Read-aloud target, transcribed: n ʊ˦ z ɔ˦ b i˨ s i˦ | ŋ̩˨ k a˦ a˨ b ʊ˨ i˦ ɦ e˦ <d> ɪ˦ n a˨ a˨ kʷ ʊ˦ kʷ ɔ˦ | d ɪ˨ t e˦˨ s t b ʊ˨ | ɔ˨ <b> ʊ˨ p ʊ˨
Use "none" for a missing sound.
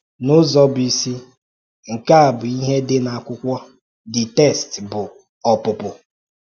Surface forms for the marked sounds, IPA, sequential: d, p

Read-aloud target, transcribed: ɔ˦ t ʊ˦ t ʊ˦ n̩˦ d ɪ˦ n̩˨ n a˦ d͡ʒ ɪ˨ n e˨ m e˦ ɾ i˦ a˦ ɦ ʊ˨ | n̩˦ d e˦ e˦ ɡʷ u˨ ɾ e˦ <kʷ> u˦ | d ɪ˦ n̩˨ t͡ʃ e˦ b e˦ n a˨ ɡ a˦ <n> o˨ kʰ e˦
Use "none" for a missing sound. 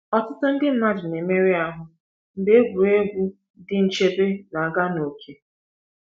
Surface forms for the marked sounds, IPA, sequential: ɡʷ, n

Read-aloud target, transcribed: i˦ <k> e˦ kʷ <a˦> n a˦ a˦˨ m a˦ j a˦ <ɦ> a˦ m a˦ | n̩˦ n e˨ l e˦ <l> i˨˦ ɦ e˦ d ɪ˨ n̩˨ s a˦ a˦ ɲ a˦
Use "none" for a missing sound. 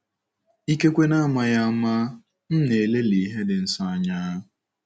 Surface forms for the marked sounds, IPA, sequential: k, e˦, none, l

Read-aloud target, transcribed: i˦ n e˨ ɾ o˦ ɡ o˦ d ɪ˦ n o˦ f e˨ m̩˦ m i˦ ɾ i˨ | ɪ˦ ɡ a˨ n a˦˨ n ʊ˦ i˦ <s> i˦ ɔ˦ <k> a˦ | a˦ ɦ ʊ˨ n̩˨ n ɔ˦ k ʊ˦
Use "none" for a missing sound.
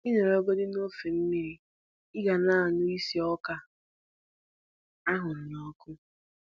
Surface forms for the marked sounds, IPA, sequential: s, k

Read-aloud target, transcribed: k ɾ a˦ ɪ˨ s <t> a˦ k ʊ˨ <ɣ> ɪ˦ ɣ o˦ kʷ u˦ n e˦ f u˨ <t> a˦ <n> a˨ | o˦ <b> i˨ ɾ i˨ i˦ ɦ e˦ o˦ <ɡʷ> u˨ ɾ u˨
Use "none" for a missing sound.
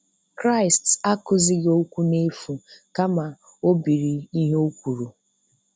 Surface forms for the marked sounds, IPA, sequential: t, z, k, m, b, kʷ

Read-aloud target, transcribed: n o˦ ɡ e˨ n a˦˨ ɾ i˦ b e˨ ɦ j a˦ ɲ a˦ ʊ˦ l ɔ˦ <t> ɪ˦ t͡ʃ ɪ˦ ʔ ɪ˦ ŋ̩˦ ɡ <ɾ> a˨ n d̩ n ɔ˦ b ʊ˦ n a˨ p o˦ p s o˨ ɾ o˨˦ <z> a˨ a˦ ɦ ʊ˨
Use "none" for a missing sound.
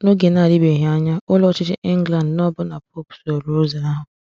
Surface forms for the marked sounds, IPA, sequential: t͡ʃ, l, z

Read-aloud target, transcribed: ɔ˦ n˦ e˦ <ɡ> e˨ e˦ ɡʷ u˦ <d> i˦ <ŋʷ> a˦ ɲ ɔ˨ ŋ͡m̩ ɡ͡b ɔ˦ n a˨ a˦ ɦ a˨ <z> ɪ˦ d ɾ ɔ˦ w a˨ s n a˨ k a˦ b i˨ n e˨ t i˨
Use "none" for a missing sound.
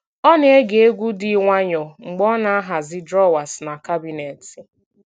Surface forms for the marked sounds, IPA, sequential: ɡ, d, ŋʷ, z

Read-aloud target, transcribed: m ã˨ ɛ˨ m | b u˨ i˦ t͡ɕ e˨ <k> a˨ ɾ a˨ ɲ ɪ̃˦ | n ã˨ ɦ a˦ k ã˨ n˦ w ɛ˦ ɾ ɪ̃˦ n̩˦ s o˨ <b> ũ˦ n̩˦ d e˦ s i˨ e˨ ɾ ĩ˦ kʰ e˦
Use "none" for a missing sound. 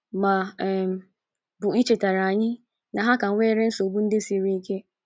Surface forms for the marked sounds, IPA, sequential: t, b

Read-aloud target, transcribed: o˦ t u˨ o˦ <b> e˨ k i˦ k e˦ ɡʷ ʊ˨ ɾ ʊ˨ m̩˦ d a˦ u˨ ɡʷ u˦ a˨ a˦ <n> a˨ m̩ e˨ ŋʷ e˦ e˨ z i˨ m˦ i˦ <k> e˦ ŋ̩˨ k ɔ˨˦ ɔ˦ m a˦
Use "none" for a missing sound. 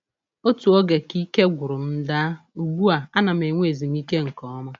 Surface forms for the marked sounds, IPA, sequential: ɡ, n, k

